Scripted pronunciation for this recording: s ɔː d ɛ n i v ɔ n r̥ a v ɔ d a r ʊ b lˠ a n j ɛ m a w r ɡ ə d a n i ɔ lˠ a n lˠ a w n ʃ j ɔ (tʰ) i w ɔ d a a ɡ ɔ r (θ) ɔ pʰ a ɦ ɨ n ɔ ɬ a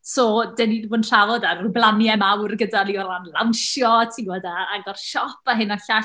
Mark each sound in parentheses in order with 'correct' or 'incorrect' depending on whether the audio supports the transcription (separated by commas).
correct, incorrect